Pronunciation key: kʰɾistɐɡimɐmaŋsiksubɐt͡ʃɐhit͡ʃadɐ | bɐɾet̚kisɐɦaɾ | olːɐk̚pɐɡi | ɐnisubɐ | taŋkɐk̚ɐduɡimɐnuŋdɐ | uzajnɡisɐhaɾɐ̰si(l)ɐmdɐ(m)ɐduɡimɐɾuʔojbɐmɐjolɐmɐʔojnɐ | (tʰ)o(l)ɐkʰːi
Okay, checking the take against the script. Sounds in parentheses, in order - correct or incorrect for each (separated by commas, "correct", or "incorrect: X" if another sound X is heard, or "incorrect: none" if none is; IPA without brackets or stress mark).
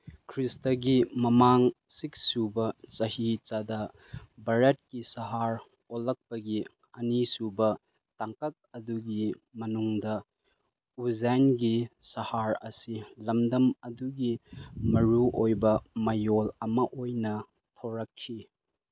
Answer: correct, correct, correct, incorrect: ɾ